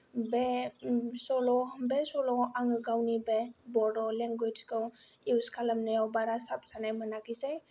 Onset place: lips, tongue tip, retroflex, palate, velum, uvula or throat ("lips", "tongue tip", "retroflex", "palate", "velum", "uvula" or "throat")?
lips